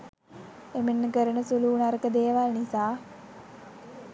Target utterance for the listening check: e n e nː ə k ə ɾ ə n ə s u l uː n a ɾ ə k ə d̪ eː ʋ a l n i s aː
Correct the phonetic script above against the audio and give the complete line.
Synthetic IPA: e m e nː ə k ə ɾ ə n ə s u l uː n a ɾ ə k ə d̪ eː ʋ a l n i s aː